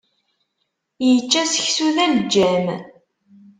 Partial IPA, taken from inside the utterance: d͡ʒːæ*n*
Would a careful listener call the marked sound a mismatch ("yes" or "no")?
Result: yes